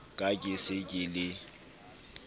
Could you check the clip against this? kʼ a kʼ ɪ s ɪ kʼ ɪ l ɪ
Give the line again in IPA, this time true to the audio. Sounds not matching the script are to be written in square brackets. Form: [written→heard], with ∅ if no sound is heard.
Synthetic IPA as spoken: kʼ a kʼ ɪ s ɪ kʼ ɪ l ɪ